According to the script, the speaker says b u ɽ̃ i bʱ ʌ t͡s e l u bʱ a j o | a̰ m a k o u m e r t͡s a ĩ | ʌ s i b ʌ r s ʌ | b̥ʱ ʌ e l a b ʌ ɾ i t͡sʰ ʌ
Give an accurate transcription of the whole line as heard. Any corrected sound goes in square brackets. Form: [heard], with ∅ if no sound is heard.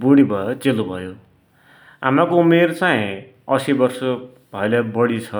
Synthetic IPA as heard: b u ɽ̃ i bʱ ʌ t͡s e l u bʱ [ʌ] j o | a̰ m a k o u m e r t͡s a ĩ | ʌ s i b ʌ r s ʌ | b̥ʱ ʌ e l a b ʌ [ɽ] i t͡sʰ ʌ

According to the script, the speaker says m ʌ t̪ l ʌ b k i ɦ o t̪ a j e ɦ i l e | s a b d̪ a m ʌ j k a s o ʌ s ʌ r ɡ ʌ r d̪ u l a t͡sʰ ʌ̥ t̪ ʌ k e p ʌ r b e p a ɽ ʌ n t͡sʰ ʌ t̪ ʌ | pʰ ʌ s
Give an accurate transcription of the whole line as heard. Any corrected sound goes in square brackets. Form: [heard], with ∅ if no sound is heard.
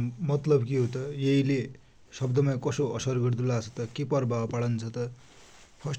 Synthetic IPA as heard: m ʌ t̪ l ʌ b k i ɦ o t̪ [ʌ] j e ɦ i l e | s [ʌ] b d̪ [ʌ] m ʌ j k [ʌ] s o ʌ s ʌ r ɡ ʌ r d̪ u l a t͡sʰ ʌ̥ t̪ ʌ k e p ʌ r b [a] p a ɽ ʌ n t͡sʰ ʌ t̪ ʌ | pʰ ʌ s

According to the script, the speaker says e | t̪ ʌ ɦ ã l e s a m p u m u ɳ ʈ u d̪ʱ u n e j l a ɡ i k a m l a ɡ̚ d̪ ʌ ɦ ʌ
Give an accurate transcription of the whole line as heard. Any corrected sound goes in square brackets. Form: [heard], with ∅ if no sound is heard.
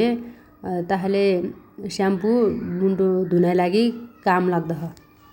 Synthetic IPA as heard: e | t̪ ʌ ɦ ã l e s a m p u m u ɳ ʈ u d̪ʱ u n [a] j l a ɡ i k a m l a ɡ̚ d̪ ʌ ɦ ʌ

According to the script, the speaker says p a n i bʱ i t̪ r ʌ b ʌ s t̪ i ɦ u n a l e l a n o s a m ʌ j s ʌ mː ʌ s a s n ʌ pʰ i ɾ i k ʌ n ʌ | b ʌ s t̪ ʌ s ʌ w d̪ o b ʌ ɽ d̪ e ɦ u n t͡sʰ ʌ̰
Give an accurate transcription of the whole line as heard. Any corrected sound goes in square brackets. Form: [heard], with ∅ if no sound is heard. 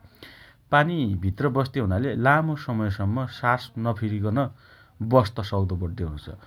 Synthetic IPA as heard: p a n i bʱ i t̪ r ʌ b ʌ s t̪ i ɦ u n a l e l a [m] o s [ʌ] m ʌ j s ʌ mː ʌ s a s n ʌ pʰ i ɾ i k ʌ n ʌ | b ʌ s t̪ ʌ s ʌ w d̪ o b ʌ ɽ d̪ e ɦ u n t͡sʰ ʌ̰

